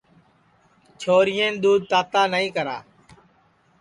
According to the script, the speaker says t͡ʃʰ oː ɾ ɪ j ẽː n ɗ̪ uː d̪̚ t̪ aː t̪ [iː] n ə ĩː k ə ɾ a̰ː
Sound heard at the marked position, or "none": aː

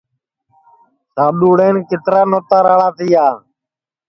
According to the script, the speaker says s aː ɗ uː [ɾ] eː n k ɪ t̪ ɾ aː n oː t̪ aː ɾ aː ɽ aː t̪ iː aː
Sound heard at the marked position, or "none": ɽ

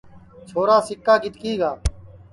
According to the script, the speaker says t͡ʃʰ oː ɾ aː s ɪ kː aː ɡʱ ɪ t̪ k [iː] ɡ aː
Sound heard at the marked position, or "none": iː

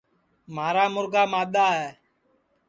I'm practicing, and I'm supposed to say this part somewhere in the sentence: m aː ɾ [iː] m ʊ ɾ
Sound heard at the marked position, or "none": aː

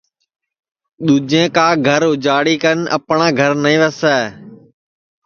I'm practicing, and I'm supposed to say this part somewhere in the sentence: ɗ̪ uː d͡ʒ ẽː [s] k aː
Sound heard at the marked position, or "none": none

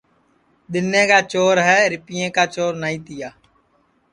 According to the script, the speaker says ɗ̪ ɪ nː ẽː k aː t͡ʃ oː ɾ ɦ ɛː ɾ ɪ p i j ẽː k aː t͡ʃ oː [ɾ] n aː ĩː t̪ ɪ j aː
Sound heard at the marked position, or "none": ɾ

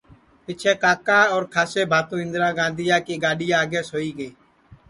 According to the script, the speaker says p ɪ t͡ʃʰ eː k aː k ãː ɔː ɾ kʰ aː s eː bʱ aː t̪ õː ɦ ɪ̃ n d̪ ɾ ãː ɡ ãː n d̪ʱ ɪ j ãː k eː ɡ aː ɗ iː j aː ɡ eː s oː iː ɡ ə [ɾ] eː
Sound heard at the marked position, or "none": none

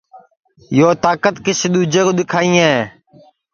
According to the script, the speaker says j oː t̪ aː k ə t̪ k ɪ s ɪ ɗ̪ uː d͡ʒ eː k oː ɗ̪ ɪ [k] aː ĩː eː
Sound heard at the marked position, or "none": kʰ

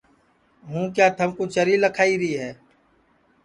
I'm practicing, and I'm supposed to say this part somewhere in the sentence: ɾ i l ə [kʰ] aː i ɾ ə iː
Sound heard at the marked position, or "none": kʰ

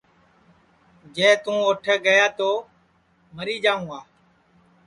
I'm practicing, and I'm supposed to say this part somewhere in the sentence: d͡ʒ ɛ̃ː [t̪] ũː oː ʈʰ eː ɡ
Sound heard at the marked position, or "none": t̪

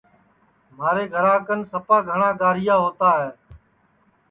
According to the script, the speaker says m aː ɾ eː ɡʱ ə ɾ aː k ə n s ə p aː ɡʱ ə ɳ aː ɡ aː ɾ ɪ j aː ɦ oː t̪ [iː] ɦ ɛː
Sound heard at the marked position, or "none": aː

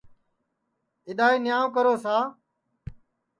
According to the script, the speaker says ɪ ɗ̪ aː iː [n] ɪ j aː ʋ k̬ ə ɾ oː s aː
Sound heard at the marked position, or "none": n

